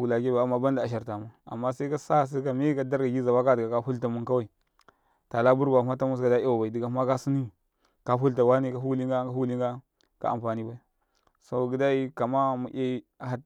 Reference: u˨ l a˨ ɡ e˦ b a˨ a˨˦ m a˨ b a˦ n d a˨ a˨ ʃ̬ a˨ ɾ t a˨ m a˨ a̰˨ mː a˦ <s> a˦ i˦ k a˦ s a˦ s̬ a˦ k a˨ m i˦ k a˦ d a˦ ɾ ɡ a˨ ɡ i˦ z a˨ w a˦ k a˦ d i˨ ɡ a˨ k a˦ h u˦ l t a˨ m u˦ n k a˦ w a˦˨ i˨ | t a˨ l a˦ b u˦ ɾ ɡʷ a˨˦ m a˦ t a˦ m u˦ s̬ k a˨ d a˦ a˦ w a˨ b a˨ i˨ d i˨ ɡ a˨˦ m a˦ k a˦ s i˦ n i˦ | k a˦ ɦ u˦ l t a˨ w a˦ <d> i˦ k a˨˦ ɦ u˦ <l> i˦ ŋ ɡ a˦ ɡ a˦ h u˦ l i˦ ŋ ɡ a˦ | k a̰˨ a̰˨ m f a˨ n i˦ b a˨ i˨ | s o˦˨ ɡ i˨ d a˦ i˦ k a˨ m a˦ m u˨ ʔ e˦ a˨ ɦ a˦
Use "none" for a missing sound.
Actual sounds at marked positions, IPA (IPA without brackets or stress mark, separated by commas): s, n, l